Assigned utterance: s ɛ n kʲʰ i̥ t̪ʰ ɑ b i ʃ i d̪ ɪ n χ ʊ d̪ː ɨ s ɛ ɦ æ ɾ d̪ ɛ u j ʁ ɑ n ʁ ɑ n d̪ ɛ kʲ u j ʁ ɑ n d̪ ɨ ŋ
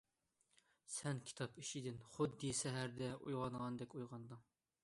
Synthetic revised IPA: s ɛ n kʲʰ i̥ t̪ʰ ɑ p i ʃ i d̪ ɪ n χ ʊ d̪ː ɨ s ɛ ɦ æ ɾ d̪ ɛ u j ʁ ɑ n ʁ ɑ n d̪ ɛ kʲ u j ʁ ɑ n d̪ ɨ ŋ